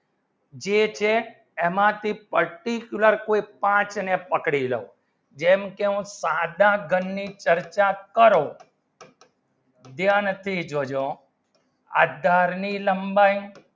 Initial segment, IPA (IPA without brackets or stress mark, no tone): d͡ʒ